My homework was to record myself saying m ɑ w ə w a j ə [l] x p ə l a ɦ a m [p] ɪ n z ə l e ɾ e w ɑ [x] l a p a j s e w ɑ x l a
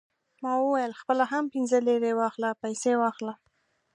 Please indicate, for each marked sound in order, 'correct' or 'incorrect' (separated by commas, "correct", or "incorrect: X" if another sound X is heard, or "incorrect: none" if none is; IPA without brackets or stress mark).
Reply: correct, correct, correct